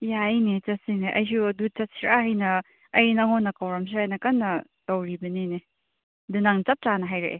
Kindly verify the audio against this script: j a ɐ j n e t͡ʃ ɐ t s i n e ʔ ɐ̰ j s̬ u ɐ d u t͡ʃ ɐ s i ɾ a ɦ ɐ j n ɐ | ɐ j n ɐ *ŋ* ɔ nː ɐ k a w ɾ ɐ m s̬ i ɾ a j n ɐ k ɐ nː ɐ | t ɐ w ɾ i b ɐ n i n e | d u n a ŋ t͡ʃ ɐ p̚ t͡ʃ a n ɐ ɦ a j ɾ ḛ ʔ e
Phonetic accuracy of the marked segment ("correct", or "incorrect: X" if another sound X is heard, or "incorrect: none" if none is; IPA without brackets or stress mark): correct